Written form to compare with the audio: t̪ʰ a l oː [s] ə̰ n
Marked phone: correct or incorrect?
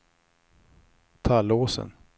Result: correct